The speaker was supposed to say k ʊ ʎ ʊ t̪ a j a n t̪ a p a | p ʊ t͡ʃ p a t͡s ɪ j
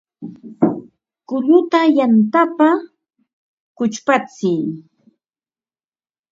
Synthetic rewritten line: k ʊ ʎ ʊ t̪ a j a n t̪ a p a | k ʊ t͡ʃ p a t͡s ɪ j